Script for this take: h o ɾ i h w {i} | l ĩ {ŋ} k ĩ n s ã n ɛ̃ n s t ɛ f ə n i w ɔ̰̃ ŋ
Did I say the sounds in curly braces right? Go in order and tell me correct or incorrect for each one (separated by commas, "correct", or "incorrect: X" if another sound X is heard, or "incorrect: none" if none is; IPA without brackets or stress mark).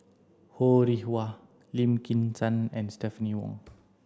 incorrect: a, incorrect: m